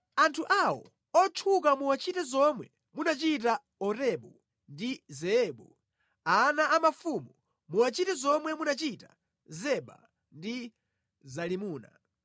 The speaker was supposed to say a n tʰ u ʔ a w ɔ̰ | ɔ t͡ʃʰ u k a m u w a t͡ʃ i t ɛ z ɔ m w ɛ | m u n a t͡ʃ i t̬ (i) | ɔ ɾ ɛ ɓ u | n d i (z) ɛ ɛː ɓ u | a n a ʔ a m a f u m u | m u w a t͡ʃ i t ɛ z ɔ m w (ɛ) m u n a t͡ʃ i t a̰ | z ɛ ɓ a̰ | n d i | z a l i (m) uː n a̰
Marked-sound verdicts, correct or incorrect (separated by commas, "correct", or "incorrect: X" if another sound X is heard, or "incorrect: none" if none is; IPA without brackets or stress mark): incorrect: a, correct, correct, correct